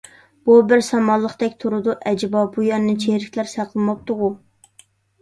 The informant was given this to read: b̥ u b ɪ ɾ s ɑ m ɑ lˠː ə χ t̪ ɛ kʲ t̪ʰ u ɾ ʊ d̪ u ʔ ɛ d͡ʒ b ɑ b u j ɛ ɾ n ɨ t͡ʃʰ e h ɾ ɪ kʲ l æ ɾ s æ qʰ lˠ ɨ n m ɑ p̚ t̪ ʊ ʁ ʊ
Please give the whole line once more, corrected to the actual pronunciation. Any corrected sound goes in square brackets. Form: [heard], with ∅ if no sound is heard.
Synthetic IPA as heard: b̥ u b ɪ ɾ s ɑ m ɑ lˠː ə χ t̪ ɛ kʲ t̪ʰ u ɾ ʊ d̪ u ʔ ɛ d͡ʒ b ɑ b u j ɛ ɾ n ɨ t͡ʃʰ e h ɾ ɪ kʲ l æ ɾ s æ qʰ lˠ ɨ [∅] m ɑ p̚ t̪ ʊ ʁ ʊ